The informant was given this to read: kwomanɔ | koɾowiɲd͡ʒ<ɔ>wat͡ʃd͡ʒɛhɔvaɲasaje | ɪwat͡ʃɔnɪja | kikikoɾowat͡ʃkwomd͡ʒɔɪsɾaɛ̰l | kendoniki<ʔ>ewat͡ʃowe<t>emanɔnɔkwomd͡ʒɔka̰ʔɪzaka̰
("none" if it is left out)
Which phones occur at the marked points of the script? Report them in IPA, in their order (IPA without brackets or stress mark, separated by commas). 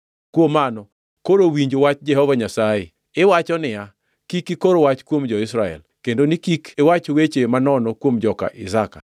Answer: o, k, t͡ʃ